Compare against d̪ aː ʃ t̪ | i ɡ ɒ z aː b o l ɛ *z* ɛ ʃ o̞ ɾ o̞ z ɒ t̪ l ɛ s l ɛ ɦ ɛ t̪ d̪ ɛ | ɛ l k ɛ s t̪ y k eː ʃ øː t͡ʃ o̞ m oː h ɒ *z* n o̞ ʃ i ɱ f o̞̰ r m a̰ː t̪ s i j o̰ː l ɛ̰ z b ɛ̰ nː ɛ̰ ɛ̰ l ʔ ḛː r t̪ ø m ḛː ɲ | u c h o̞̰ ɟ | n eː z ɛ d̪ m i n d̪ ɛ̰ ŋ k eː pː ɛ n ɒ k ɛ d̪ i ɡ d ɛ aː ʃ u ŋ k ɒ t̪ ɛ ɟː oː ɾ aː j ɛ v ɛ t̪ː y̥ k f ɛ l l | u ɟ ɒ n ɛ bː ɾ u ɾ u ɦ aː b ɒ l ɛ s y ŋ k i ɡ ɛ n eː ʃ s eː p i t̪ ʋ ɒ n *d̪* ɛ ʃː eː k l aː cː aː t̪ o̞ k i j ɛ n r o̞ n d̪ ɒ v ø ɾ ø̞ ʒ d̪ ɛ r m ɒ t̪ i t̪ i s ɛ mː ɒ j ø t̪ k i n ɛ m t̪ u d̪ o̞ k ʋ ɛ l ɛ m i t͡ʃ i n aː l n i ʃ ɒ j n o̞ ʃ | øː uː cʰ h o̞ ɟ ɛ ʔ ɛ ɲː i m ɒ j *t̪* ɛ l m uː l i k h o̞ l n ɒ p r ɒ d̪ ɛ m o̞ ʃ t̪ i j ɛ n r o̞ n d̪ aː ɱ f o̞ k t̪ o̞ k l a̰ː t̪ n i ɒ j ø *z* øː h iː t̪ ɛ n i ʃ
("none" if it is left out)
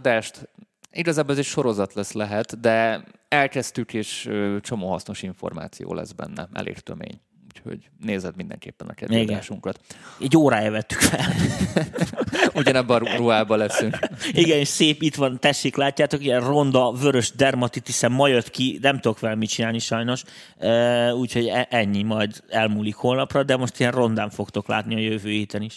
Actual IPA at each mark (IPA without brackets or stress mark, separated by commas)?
z, s, t̪, d̪, v